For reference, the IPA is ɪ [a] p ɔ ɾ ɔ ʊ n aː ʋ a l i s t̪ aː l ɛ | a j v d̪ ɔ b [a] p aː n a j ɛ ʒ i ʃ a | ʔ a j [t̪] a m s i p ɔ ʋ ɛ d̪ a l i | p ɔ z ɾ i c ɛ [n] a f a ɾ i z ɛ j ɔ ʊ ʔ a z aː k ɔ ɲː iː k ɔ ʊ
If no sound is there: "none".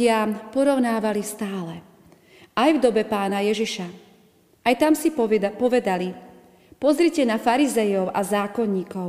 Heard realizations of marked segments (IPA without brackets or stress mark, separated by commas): a, ɛ, t̪, n